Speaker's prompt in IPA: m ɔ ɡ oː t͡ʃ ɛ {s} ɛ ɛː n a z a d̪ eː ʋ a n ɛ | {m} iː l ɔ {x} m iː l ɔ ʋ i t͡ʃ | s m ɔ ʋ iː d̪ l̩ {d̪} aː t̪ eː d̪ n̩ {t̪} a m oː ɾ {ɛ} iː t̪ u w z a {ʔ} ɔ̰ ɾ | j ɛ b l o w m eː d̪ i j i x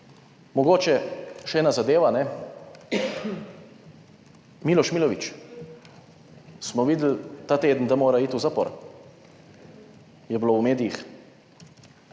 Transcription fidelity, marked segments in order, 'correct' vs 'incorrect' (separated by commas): incorrect, correct, incorrect, incorrect, incorrect, incorrect, incorrect